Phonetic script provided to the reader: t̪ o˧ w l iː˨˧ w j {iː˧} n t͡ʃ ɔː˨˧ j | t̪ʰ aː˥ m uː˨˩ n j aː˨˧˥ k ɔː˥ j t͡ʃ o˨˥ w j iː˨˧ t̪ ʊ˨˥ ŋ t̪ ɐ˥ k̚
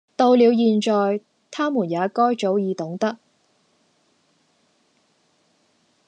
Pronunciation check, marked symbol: correct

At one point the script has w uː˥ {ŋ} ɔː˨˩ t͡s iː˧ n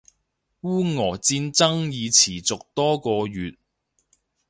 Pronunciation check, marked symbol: correct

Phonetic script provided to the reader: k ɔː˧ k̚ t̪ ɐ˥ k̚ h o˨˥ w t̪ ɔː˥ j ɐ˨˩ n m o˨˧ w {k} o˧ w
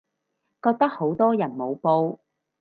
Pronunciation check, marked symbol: incorrect: p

